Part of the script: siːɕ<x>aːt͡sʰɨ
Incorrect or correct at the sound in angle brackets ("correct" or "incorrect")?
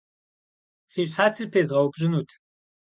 incorrect